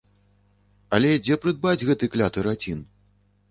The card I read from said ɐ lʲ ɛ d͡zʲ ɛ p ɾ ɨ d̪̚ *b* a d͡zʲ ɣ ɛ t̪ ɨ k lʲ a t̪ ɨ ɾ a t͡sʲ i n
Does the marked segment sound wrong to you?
no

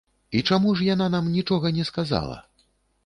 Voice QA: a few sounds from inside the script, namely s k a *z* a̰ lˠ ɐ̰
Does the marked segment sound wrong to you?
no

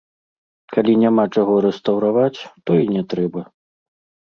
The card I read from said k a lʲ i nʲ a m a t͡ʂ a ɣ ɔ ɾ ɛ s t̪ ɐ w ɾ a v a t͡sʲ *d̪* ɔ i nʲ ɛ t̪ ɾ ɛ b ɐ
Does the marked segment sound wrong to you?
yes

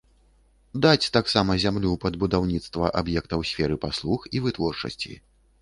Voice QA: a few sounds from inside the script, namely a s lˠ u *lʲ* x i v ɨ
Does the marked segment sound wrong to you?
yes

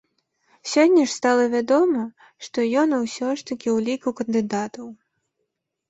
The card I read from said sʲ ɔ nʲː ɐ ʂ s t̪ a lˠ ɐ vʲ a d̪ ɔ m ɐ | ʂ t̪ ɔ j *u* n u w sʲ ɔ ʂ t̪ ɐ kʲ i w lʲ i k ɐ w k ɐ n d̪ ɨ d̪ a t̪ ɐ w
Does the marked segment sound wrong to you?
yes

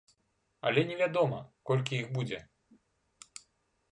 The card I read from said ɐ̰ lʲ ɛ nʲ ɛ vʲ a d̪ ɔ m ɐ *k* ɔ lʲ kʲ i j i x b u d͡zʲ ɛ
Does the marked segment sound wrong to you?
no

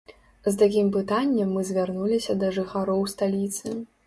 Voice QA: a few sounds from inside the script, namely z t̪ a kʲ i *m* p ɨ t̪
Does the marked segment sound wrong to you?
no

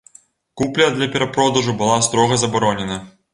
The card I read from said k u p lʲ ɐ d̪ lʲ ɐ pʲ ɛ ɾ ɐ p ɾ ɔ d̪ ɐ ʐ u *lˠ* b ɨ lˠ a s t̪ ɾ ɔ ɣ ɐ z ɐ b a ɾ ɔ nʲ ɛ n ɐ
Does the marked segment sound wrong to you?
yes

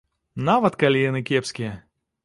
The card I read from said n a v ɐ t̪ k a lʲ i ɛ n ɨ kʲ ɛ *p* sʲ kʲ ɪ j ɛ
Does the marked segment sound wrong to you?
no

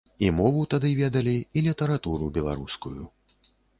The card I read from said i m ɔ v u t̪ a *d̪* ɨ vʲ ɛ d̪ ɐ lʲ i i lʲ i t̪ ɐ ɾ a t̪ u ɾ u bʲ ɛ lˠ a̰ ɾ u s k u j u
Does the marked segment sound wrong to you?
no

